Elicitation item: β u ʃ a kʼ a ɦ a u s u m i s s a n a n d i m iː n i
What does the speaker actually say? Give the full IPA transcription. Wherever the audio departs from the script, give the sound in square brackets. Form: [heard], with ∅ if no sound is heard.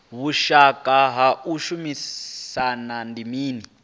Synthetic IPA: β u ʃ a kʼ a ɦ a u [ʃ] u m i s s a n a n d i m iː n i